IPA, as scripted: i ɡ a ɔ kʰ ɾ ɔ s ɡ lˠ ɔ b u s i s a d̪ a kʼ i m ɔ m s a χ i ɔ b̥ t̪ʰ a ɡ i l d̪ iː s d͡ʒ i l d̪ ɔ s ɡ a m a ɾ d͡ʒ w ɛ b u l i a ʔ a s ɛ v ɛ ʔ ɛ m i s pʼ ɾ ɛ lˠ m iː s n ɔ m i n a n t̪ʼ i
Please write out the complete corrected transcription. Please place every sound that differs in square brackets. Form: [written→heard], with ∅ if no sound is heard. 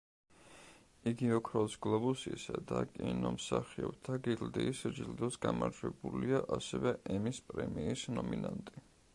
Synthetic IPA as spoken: i ɡ [a→i] ɔ kʰ ɾ ɔ s ɡ lˠ ɔ b u s i s a d̪ a kʼ i [m→n] ɔ m s a χ i ɔ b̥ t̪ʰ a ɡ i l d̪ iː s d͡ʒ i l d̪ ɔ s ɡ a m a ɾ d͡ʒ w ɛ b u l i a ʔ a s ɛ v ɛ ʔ ɛ m i s pʼ ɾ ɛ [lˠ→∅] m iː s n ɔ m i n a n t̪ʼ i